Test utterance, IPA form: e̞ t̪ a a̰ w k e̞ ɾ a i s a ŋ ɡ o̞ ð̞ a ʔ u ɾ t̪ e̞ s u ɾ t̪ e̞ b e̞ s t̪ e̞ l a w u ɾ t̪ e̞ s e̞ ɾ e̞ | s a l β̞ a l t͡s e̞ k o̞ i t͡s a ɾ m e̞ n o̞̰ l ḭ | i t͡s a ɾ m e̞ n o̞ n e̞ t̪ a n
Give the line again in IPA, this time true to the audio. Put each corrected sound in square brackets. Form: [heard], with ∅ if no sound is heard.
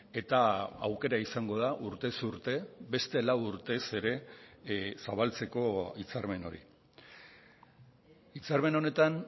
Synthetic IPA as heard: e̞ t̪ a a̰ w k e̞ ɾ a i s a ŋ ɡ o̞ ð̞ a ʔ u ɾ t̪ e̞ s u ɾ t̪ e̞ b e̞ s t̪ e̞ l a w u ɾ t̪ e̞ s e̞ ɾ e̞ | s a [∅] β̞ a l t͡s e̞ k o̞ i t͡s a ɾ m e̞ n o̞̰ [ɾ] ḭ | i t͡s a ɾ m e̞ n o̞ n e̞ t̪ a n